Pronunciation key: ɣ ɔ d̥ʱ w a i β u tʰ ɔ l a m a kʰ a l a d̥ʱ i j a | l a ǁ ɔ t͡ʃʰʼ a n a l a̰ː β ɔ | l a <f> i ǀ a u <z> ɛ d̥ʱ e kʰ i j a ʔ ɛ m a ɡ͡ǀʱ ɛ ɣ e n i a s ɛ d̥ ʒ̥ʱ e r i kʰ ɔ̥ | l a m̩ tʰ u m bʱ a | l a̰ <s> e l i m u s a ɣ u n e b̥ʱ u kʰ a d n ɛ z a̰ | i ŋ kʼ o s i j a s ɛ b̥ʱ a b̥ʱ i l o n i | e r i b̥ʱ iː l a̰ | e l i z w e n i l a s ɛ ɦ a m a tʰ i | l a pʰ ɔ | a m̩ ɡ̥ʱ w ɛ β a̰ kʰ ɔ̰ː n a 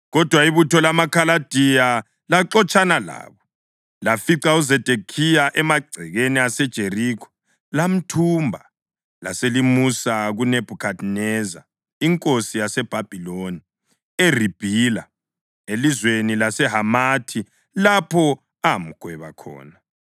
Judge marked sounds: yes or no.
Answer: yes, yes, yes

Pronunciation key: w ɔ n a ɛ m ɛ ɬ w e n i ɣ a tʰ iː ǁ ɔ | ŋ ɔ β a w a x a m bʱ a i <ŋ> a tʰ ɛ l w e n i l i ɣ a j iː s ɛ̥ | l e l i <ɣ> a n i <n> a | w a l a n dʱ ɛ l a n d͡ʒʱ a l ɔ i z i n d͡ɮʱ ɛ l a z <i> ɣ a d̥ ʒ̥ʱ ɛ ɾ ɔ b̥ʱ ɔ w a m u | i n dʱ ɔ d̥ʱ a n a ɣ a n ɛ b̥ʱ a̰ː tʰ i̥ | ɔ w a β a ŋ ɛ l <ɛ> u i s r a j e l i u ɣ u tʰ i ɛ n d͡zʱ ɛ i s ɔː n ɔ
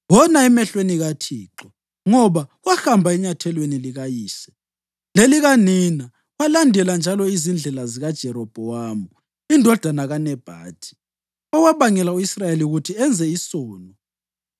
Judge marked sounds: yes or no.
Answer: no, yes, yes, yes, no

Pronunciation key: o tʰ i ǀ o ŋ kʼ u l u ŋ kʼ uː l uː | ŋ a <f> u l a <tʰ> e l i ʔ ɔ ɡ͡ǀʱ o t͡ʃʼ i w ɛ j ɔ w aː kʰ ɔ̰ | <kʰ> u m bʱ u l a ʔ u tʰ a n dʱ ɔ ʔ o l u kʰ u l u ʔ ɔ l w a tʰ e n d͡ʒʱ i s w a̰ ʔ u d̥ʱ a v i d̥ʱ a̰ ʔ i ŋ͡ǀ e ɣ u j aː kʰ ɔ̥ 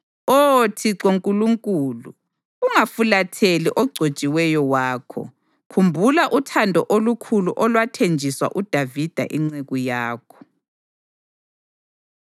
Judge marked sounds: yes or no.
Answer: yes, yes, yes

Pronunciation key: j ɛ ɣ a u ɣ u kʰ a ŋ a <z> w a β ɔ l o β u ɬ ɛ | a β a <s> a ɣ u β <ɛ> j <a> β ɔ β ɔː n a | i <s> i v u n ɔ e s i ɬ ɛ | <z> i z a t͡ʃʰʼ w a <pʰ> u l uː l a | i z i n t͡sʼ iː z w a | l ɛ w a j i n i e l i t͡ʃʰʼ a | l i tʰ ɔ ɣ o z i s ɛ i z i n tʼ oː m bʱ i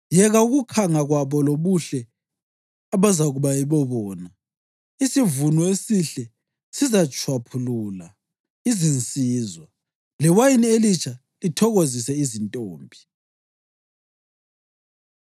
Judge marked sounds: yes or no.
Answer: no, no, no, no, yes, no, yes

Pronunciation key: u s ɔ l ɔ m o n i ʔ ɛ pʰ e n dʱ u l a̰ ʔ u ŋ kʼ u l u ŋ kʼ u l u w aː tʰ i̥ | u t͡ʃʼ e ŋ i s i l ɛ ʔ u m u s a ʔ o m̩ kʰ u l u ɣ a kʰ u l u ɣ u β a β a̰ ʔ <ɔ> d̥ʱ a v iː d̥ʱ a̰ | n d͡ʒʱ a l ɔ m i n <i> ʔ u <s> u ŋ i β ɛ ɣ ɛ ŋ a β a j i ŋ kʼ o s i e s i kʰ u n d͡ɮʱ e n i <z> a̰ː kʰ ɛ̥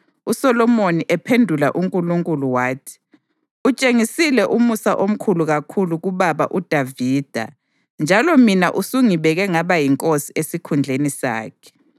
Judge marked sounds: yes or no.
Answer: no, no, yes, no

